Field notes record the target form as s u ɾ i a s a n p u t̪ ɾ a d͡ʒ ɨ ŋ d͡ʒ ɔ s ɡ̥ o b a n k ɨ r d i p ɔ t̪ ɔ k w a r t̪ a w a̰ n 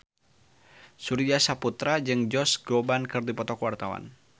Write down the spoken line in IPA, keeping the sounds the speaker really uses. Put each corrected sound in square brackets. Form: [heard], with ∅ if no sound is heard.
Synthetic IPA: s u ɾ i a s a [∅] p u t̪ ɾ a d͡ʒ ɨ ŋ d͡ʒ ɔ s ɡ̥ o b a n k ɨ r d i p ɔ t̪ ɔ k w a r t̪ a w a̰ n